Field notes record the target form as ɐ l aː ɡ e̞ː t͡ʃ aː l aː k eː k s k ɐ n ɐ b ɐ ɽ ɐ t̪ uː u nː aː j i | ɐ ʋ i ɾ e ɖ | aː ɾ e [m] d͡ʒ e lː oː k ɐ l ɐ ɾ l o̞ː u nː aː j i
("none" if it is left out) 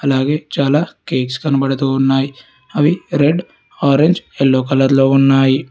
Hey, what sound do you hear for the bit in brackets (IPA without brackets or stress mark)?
ɲ